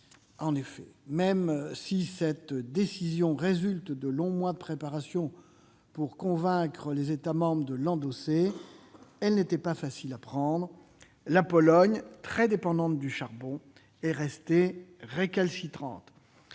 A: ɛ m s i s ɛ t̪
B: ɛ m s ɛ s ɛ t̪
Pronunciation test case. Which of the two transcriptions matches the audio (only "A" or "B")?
A